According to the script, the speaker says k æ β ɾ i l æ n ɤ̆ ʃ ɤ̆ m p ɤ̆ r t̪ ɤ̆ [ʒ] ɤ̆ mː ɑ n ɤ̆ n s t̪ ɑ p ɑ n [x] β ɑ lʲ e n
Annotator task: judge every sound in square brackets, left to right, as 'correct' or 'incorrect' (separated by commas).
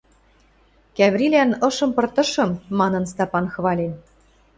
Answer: incorrect, correct